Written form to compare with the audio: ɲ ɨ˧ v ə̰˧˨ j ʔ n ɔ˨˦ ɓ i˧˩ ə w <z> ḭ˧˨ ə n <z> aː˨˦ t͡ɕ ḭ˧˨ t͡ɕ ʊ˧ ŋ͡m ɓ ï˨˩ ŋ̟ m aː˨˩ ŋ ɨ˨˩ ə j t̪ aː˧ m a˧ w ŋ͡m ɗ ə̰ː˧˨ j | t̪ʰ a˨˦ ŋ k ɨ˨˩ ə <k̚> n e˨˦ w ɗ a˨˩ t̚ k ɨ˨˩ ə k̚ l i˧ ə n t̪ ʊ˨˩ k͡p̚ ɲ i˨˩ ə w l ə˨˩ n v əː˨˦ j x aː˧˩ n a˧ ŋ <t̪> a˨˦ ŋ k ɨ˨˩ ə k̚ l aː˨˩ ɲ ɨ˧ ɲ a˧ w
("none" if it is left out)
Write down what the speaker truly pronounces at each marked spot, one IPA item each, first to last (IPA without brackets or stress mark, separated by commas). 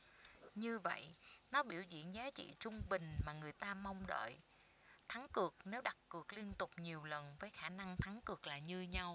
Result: z, z, k̚, t̪ʰ